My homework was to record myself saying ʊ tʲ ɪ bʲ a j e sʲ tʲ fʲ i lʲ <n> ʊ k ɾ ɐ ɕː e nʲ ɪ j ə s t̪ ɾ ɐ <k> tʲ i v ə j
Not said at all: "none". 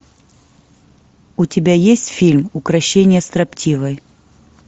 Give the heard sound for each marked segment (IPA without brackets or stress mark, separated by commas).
m, p